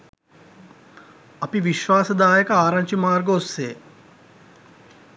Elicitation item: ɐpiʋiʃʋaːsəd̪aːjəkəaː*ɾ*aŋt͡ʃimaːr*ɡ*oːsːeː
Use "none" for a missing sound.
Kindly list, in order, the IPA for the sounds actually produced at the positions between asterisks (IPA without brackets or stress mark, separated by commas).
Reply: ɾ, ɡ